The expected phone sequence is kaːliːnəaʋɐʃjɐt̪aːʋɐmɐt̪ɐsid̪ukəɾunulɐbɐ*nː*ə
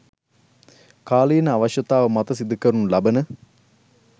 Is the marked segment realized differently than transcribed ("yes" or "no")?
yes